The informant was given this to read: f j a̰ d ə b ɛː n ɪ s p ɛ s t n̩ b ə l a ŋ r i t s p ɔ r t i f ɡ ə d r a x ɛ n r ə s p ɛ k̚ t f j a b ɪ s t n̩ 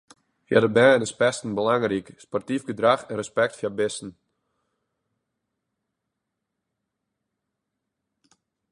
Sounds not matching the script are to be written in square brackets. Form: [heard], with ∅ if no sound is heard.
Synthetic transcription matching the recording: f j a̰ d ə b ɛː n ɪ s p ɛ s t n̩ b ə l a ŋ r i [k] s p ɔ r t i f ɡ ə d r a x ɛ n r ə s p ɛ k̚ t f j a b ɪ s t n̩